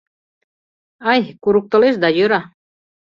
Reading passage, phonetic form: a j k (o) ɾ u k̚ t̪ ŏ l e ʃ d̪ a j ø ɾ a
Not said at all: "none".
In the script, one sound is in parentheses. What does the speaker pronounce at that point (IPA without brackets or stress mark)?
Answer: u